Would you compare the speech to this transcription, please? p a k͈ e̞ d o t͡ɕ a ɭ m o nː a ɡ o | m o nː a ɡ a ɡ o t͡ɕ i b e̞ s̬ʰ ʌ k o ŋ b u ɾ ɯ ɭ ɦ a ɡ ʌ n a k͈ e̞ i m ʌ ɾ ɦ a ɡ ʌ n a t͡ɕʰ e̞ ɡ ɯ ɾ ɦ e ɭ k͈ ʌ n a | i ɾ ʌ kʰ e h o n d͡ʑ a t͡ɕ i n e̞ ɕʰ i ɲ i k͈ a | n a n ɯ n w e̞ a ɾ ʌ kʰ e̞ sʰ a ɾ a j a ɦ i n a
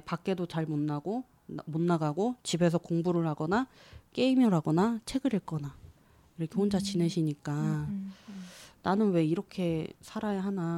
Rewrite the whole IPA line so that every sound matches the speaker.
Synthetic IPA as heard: p a k͈ e̞ d o t͡ɕ a ɭ m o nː a ɡ o | m o nː a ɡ a ɡ o t͡ɕ i b e̞ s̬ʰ ʌ k o ŋ b u ɾ ɯ ɭ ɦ a ɡ ʌ n a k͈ e̞ i m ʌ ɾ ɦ a ɡ ʌ n a t͡ɕʰ e̞ ɡ ɯ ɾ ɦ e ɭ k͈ ʌ n a | i ɾ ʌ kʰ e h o n d͡ʑ a t͡ɕ i n e̞ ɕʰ i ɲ i k͈ a | n a n ɯ n w e̞ i ɾ ʌ kʰ e̞ sʰ a ɾ a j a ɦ a n a